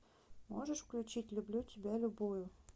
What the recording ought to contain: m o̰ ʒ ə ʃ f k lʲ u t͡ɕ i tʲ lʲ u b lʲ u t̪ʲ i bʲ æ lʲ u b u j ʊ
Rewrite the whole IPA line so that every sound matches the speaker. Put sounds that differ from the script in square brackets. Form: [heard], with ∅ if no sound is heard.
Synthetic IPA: m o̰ ʒ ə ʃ f k lʲ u t͡ɕ i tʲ lʲ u b lʲ u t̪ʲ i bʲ æ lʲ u b u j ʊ